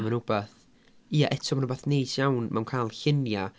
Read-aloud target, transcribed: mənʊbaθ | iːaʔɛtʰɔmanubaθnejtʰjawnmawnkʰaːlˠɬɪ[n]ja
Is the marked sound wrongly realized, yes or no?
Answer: no